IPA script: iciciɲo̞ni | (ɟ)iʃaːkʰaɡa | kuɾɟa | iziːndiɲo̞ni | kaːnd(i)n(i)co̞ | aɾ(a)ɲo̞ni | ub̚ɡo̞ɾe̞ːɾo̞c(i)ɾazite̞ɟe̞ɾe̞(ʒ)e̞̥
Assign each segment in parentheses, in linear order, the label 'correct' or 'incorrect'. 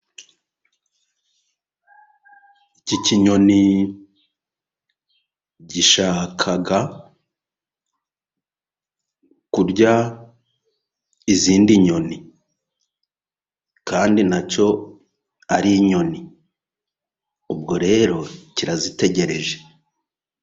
correct, correct, incorrect: a, incorrect: i, correct, correct

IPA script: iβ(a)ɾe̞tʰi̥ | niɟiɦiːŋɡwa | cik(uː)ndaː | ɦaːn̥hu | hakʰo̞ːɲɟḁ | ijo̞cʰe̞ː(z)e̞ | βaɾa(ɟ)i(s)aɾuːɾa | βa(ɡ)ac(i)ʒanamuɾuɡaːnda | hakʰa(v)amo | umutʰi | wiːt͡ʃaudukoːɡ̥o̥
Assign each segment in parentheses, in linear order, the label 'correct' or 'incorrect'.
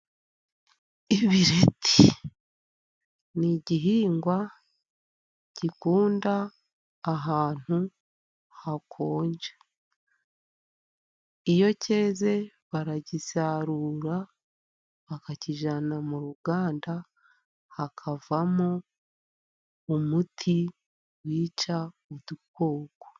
incorrect: i, correct, correct, correct, correct, incorrect: k, correct, correct

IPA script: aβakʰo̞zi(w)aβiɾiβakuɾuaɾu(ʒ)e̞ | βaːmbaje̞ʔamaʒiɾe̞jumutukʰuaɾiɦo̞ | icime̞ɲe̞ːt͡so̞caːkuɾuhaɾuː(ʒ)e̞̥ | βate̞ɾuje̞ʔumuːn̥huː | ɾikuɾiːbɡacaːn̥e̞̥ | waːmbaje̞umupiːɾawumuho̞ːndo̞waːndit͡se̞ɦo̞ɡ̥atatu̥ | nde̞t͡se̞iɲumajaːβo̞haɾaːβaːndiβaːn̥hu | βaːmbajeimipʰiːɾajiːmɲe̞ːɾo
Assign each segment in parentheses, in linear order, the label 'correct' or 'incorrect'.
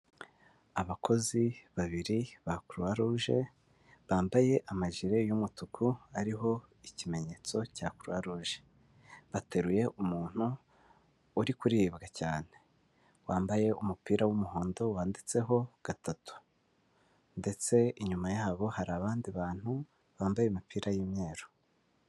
incorrect: β, correct, correct

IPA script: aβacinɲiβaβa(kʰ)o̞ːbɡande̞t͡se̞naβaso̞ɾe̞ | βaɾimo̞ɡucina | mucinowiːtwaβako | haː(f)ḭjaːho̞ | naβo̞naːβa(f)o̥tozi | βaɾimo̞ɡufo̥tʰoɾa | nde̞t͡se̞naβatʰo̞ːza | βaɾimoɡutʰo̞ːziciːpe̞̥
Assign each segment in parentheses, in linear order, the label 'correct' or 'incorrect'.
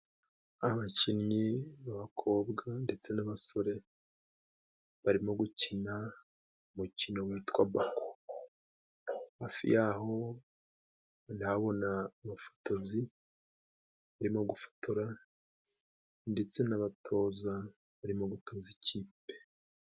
correct, correct, correct

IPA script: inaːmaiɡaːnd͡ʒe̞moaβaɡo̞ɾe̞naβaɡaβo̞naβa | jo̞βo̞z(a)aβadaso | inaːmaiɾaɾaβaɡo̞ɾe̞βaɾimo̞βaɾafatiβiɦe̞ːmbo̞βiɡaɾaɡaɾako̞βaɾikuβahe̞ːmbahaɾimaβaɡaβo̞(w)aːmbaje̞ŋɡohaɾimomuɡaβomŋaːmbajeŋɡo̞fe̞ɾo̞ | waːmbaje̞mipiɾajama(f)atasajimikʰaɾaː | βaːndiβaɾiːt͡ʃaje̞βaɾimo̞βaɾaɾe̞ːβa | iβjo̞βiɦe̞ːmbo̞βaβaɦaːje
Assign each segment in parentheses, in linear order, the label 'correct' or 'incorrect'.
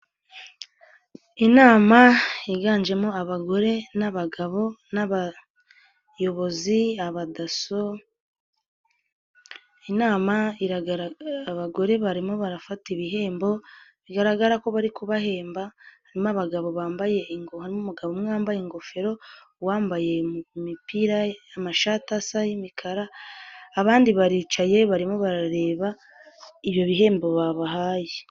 incorrect: i, incorrect: β, incorrect: ʃ

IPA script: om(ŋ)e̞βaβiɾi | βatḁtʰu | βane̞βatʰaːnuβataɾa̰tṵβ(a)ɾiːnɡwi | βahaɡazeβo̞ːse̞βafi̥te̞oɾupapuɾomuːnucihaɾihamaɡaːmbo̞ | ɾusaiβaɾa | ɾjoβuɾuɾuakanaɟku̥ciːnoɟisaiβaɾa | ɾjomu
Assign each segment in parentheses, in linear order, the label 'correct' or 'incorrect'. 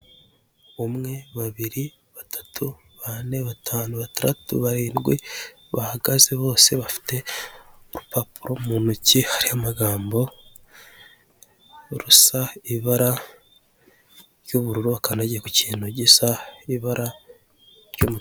correct, correct

